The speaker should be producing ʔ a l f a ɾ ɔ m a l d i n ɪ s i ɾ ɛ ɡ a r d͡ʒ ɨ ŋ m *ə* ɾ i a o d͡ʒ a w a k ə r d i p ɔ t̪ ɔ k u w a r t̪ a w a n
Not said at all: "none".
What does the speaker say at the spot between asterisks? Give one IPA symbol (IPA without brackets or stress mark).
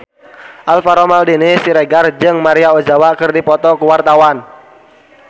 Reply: a